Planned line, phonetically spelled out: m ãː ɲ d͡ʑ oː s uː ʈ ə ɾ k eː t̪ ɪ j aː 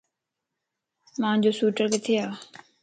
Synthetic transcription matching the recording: m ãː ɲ d͡ʑ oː s uː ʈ ə ɾ k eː t̪ʰ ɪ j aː